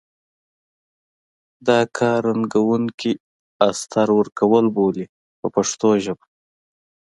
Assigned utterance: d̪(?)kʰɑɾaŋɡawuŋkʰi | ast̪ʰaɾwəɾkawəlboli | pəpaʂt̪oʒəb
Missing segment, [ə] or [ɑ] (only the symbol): ɑ